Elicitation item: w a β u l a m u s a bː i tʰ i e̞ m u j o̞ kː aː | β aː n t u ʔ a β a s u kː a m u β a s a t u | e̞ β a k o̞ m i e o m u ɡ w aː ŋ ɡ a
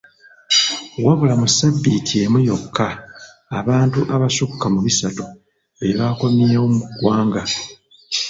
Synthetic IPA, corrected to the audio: w a β u l a m u s a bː i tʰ i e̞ m u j o̞ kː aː | β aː n t u ʔ a β a s u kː a m u β i s a t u | e̞ β a k o̞ m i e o m u ɡ w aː ŋ ɡ a